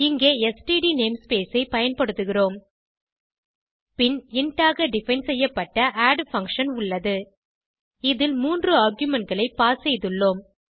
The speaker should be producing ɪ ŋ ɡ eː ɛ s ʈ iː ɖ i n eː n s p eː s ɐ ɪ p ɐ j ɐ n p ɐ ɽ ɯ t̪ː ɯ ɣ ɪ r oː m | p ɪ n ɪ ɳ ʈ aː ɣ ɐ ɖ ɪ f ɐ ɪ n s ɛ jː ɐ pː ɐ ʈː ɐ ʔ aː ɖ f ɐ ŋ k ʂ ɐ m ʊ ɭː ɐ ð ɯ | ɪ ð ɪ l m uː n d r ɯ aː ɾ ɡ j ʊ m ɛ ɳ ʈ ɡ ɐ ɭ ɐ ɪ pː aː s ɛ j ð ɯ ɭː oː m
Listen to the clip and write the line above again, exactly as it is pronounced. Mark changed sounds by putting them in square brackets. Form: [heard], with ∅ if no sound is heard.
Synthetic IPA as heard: ɪ ŋ ɡ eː ɛ s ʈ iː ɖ i n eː [m] s p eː s ɐ ɪ p ɐ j ɐ n p ɐ ɽ ɯ t̪ː ɯ ɣ ɪ r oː m | p ɪ n ɪ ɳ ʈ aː ɣ ɐ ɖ ɪ f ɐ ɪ n s ɛ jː ɐ pː ɐ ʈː ɐ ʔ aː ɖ f ɐ ŋ k ʂ ɐ [n] ʊ ɭː ɐ ð ɯ | ɪ ð ɪ l m uː n d r ɯ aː ɾ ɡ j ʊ m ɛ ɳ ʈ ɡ ɐ ɭ ɐ ɪ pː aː s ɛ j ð ɯ ɭː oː m